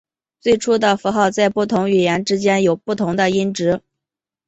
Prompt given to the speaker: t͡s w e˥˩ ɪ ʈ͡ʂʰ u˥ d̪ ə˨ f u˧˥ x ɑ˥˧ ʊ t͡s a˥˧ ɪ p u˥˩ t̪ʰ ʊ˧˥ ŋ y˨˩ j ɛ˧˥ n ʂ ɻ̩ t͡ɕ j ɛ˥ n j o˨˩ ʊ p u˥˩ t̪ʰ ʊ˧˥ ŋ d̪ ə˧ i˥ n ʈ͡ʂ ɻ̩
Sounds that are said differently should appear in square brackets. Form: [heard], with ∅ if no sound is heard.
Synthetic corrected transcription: t͡s w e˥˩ ɪ ʈ͡ʂʰ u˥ d̪ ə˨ f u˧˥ x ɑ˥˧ ʊ t͡s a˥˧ ɪ p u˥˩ t̪ʰ ʊ˧˥ ŋ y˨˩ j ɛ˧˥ n [ʈ͡ʂ] ɻ̩ t͡ɕ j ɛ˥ n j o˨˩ ʊ p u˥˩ t̪ʰ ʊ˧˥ ŋ d̪ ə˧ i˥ n ʈ͡ʂ ɻ̩